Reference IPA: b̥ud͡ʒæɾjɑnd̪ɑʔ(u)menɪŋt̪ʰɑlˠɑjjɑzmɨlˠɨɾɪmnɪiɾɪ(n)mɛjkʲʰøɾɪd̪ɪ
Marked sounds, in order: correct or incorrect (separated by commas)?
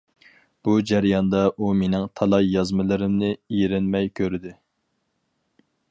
correct, correct